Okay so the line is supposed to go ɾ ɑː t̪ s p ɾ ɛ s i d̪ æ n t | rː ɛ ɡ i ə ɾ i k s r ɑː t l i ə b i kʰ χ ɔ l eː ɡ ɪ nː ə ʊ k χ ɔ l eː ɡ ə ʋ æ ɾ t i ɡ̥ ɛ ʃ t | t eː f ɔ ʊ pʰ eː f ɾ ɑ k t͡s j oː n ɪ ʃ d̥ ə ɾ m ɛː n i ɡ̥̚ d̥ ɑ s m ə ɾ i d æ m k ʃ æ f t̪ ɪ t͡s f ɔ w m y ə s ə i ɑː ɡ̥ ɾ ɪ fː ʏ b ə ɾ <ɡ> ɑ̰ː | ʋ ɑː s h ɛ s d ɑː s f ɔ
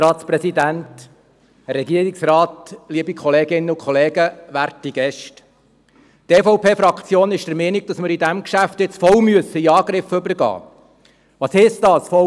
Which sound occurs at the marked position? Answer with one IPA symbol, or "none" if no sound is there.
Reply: ɡ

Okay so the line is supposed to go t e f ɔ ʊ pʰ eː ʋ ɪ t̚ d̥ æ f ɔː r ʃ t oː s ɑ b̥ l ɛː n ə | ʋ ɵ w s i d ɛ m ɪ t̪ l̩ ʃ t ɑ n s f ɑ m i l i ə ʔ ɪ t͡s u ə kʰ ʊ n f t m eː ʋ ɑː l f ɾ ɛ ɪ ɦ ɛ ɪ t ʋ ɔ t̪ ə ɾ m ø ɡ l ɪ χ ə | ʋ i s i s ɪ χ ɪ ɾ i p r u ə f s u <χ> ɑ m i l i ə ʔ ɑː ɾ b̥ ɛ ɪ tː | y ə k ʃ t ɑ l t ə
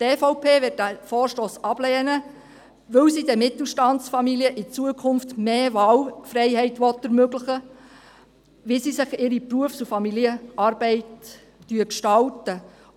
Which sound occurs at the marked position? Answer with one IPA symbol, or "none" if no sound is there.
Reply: f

